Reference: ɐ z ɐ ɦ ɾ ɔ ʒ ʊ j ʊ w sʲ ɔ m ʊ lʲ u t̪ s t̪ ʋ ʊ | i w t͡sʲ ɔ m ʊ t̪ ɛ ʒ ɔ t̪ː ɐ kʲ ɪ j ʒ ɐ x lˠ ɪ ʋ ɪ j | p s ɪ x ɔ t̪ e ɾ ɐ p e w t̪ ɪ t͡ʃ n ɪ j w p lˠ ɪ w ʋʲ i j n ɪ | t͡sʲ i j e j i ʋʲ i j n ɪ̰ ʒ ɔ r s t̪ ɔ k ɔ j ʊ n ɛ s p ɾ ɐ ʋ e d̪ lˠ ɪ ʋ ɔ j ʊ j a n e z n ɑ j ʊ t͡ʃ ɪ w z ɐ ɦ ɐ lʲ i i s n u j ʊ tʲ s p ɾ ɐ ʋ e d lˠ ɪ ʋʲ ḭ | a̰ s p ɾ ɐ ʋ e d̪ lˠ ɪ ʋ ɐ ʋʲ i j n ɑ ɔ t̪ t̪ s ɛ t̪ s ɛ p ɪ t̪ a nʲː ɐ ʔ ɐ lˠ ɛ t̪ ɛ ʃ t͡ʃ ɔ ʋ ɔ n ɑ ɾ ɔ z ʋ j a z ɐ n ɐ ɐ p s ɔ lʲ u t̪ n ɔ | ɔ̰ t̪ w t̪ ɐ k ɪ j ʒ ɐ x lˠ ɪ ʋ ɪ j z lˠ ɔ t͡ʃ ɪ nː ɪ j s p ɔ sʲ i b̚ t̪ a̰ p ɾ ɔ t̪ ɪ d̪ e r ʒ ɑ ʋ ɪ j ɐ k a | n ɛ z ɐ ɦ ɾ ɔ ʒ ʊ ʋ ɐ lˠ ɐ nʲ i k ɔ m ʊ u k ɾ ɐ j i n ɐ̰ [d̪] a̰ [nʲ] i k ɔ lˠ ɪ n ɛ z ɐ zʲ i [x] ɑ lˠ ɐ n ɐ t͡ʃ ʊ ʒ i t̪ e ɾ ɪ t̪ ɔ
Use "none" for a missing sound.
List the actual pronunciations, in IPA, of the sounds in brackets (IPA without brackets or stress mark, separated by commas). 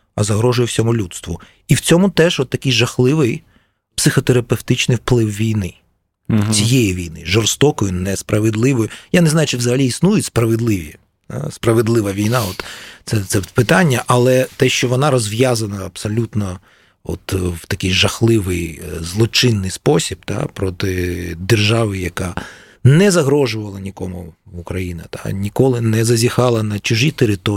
t̪, nʲ, x